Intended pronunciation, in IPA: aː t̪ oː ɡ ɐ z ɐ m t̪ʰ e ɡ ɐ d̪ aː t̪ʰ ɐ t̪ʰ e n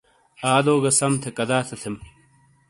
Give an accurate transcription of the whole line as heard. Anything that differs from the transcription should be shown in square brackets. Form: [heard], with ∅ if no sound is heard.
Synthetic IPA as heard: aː [d̪] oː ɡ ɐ [s] ɐ m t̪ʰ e [k] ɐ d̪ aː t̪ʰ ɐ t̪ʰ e [m]